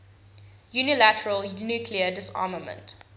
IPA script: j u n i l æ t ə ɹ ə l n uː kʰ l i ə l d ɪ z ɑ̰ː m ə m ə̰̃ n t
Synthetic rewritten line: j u n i l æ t ə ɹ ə l n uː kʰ l i ə d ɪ s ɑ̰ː m ə m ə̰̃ n t